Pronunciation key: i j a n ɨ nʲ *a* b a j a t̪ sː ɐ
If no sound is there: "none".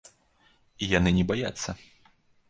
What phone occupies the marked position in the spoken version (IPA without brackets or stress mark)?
ɛ